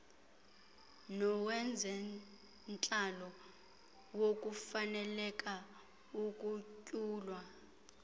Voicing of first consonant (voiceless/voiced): voiced